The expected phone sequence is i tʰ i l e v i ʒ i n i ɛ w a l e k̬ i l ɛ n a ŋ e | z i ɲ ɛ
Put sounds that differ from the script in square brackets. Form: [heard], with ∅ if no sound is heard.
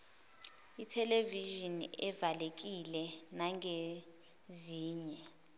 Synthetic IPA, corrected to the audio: i tʰ [ɛ] l e v i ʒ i n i ɛ [v] a l e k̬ i l ɛ n a ŋ e | z [iː] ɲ ɛ